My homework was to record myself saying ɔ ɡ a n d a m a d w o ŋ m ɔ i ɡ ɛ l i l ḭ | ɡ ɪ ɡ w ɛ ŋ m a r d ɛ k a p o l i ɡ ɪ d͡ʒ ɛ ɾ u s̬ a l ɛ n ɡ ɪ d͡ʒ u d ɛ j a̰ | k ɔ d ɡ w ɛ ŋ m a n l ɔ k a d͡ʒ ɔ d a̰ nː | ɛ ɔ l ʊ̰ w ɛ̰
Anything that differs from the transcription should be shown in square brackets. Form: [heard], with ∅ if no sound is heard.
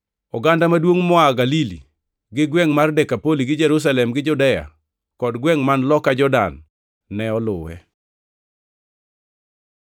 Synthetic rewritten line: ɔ ɡ a n d a m a d w o ŋ m ɔ [a] ɡ [a] l i l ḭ | ɡ ɪ ɡ w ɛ ŋ m a r d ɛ k a p o l i ɡ ɪ d͡ʒ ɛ ɾ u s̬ a l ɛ [m] ɡ ɪ d͡ʒ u d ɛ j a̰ | k ɔ d ɡ w ɛ ŋ m a n l ɔ k a d͡ʒ ɔ d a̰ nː | ɛ ɔ l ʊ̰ w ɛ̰